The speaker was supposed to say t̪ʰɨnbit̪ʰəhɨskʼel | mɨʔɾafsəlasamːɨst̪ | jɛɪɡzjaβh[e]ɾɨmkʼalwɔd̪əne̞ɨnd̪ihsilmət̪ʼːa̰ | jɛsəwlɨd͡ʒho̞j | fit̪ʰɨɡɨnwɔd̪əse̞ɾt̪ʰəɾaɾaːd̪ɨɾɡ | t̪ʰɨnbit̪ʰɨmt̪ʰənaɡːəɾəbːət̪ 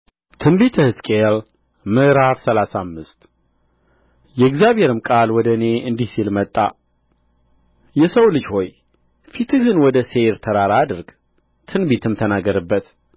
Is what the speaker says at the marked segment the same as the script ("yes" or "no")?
yes